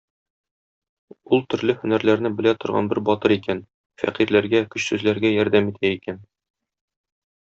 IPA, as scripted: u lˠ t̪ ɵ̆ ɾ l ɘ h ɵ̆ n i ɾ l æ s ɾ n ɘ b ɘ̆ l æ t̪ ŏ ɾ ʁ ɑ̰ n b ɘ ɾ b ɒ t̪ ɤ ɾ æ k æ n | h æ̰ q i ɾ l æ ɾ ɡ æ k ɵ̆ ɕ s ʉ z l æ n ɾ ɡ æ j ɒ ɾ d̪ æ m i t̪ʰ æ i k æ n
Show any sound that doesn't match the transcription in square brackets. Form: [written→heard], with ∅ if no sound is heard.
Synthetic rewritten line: u lˠ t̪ ɵ̆ ɾ l ɘ h ɵ̆ n [i→æ] ɾ l æ [s→∅] ɾ n ɘ b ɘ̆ l æ t̪ ŏ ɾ ʁ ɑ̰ n b ɘ ɾ b ɒ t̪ ɤ ɾ [æ→i] k æ n | [h→f] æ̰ q i ɾ l æ ɾ ɡ æ k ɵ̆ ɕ s ʉ z l æ [n→∅] ɾ ɡ æ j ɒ ɾ d̪ æ m i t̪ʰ æ i k æ n